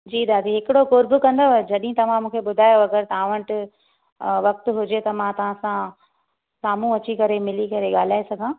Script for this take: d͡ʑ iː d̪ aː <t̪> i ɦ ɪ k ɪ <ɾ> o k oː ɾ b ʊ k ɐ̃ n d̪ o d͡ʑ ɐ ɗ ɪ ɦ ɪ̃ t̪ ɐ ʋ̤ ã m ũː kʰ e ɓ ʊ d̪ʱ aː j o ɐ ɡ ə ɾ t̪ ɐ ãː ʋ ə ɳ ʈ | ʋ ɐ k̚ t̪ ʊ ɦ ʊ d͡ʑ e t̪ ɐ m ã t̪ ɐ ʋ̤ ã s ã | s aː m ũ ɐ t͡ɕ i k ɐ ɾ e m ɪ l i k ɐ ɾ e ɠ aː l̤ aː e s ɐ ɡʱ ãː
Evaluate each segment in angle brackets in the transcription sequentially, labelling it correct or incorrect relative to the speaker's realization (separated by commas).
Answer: incorrect, incorrect